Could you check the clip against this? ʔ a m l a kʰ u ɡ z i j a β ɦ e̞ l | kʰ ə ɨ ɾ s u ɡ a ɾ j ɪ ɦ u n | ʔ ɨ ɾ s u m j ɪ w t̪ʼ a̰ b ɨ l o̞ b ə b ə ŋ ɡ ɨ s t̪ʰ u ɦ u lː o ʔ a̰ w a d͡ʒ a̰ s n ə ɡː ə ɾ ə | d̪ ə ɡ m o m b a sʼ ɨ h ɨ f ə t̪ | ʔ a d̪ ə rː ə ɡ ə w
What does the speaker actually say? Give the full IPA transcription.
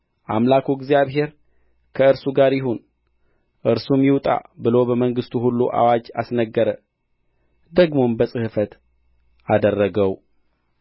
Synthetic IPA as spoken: ʔ a m l a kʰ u ɡ z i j a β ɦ e̞ ɾ | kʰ ə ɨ ɾ s u ɡ a ɾ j ɪ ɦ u n | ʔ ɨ ɾ s u m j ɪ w t̪ʼ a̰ b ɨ l o̞ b ə m ə ŋ ɡ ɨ s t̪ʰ u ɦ u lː u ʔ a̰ w a d͡ʒ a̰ s n ə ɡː ə ɾ ə | d̪ ə ɡ m o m b ə sʼ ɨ h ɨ f ə t̪ | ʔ a d̪ ə rː ə ɡ ə w